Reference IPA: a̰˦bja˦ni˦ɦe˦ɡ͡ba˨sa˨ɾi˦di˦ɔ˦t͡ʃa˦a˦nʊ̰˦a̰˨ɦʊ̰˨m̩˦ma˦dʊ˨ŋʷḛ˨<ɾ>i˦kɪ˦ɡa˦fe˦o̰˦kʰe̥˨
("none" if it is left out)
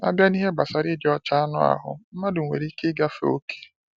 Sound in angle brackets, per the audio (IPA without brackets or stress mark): ɾ